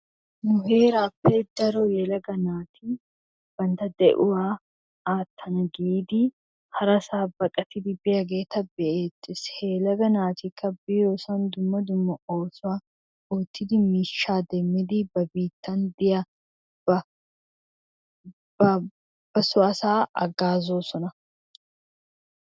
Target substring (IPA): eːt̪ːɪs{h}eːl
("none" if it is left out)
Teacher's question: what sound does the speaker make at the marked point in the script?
h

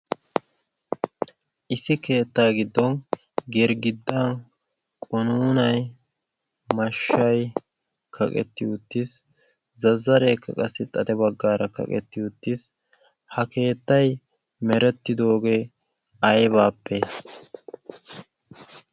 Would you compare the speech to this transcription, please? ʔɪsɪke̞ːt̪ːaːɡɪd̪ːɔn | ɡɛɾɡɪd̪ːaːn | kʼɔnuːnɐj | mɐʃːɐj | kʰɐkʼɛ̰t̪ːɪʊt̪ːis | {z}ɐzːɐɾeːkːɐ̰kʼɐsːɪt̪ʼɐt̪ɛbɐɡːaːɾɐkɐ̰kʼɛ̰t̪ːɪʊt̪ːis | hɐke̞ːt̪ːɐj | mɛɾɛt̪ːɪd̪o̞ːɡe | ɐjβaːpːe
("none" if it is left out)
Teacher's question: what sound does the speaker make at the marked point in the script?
z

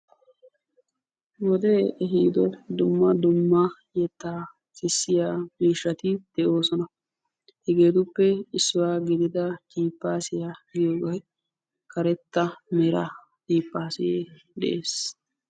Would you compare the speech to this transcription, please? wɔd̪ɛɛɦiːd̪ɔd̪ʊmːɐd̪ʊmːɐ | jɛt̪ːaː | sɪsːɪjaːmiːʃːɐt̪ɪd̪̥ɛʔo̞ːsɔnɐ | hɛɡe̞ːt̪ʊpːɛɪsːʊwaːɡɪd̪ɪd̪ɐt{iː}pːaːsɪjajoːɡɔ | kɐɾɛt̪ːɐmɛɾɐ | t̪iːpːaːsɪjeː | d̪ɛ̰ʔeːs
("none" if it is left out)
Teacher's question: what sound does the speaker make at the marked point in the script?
iː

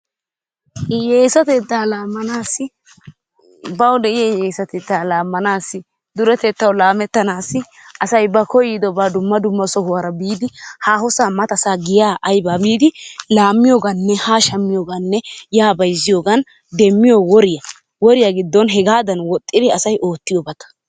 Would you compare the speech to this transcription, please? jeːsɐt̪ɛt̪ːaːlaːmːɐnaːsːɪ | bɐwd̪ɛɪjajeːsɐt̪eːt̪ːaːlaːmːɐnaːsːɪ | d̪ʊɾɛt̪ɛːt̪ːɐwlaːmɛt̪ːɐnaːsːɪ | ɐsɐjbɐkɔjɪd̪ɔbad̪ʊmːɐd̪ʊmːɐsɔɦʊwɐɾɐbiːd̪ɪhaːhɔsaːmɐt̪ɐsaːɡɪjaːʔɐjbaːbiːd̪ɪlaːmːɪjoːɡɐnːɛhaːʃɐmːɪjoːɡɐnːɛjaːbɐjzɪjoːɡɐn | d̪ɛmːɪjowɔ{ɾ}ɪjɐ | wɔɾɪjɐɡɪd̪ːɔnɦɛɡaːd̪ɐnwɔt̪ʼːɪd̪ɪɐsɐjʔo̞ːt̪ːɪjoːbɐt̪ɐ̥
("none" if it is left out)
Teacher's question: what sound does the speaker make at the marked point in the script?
ɾ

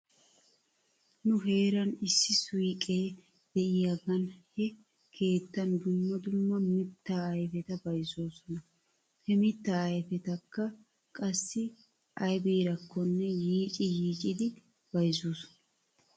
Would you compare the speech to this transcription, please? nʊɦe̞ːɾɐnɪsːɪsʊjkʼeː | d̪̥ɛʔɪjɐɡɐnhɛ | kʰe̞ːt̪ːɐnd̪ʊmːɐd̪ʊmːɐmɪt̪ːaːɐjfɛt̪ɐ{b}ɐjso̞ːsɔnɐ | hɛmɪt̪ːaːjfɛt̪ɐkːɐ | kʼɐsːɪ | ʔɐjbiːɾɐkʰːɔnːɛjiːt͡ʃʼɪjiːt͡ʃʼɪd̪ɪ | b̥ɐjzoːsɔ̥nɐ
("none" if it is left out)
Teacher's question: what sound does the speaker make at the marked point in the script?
b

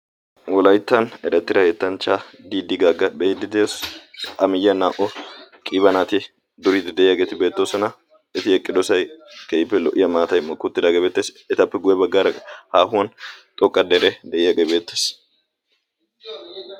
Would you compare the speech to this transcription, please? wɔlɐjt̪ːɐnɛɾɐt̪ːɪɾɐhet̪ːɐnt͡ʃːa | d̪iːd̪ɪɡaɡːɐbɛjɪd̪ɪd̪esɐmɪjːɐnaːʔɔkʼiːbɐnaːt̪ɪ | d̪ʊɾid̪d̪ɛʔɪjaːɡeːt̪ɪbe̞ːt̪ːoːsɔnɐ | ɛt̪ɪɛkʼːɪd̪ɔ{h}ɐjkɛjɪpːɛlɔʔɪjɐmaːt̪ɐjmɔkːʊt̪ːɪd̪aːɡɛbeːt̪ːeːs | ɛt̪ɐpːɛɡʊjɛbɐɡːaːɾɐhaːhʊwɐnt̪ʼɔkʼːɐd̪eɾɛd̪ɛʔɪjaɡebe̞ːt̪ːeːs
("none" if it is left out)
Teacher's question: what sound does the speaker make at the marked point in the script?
s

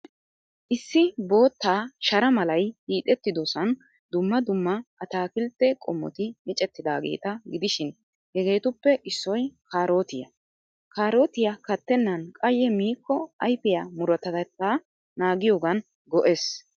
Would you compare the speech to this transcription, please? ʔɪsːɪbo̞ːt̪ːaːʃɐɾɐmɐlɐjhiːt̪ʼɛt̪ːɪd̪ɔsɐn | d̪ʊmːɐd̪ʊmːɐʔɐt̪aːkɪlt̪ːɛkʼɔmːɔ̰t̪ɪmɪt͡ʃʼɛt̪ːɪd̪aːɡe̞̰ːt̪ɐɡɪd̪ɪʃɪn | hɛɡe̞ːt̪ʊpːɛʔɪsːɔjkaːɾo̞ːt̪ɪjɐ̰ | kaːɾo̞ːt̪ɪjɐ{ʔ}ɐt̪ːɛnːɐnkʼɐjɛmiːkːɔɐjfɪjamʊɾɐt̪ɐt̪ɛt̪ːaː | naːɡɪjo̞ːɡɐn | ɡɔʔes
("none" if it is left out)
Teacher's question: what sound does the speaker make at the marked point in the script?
k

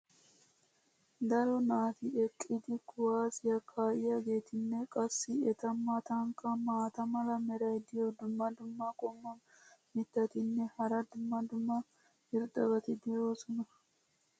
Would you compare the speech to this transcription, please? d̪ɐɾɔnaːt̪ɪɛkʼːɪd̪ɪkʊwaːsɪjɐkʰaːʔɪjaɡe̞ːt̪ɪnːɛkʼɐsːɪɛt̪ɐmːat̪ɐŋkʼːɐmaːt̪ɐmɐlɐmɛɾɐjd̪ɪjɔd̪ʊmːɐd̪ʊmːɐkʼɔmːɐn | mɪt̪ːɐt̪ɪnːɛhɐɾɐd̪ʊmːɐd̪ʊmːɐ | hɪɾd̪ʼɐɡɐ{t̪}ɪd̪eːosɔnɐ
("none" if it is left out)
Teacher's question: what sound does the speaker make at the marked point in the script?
t̪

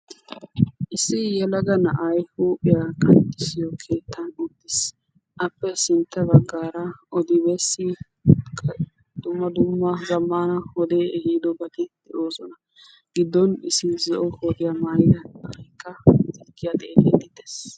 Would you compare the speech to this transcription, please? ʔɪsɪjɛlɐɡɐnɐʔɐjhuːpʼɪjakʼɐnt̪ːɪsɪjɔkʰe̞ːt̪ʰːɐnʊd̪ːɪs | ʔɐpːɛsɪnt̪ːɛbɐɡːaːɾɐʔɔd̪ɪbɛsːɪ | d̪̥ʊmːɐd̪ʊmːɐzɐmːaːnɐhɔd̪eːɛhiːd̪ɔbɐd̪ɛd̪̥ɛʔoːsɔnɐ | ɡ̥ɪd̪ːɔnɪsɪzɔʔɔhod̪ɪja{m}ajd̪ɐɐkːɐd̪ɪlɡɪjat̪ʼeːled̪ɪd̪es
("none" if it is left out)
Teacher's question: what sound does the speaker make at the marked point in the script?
m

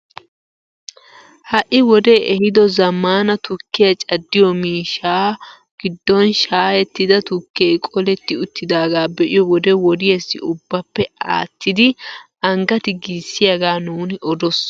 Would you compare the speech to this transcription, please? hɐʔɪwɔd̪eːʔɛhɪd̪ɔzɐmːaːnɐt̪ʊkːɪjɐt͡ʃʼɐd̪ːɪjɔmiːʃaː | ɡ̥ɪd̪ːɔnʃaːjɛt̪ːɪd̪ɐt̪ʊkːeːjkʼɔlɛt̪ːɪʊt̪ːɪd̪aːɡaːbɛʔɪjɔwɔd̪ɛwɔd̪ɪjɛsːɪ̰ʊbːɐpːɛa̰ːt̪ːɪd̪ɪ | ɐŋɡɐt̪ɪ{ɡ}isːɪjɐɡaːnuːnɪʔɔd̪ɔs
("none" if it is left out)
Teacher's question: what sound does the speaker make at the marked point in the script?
ɡ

